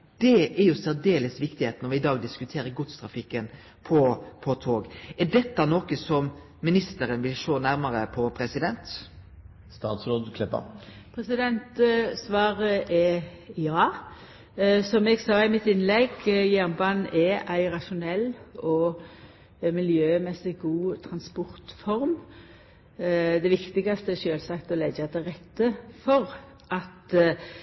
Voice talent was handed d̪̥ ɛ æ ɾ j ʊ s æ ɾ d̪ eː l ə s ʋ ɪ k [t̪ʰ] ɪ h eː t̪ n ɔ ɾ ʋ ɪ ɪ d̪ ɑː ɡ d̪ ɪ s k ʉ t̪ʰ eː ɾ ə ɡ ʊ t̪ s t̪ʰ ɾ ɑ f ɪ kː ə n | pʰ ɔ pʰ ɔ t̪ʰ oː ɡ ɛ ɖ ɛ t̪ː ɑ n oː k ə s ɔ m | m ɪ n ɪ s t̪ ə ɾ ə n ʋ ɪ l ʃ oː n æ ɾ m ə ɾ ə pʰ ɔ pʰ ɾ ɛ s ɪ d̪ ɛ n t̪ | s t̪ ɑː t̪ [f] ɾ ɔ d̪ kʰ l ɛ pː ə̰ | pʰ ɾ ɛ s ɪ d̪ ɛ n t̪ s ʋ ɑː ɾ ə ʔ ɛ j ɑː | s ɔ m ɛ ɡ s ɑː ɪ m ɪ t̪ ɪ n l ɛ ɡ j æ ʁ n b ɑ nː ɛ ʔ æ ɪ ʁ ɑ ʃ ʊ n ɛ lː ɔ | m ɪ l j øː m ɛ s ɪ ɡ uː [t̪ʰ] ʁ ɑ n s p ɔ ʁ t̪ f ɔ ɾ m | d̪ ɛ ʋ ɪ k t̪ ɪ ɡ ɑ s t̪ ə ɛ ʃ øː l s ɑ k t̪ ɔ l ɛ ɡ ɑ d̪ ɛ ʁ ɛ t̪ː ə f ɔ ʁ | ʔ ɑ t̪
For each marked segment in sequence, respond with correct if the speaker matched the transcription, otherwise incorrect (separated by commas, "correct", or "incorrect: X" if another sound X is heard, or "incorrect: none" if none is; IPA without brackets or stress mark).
incorrect: t̪, incorrect: s, correct